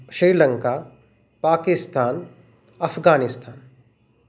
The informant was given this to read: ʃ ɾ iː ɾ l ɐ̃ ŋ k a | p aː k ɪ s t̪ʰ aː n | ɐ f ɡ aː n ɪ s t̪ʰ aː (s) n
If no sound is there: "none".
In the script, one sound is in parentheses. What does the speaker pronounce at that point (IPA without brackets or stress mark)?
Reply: none